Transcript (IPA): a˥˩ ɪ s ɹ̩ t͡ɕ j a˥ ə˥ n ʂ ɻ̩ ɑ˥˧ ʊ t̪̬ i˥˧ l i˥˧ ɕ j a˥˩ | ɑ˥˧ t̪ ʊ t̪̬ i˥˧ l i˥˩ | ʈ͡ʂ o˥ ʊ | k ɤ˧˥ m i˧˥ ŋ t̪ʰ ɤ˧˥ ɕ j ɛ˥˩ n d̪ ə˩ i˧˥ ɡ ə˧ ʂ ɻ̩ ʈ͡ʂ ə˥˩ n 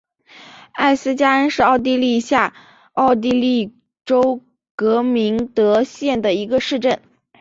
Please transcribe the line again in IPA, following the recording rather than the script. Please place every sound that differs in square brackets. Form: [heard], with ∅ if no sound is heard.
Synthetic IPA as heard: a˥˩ ɪ s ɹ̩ t͡ɕ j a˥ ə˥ n ʂ ɻ̩ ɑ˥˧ ʊ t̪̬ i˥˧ l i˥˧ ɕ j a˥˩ | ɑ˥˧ [∅] ʊ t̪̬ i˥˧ l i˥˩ | ʈ͡ʂ o˥ ʊ | k ɤ˧˥ m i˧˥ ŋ [t̪] ɤ˧˥ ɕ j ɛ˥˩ n d̪ ə˩ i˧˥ ɡ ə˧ ʂ ɻ̩ ʈ͡ʂ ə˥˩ n